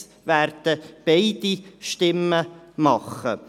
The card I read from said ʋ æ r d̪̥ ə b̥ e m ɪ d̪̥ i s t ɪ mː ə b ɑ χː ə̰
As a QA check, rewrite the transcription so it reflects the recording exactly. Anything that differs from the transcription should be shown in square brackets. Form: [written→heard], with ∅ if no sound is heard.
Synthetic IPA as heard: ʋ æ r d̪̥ ə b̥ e [m→∅] ɪ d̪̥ i [s→ʃ] t ɪ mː ə [b→m] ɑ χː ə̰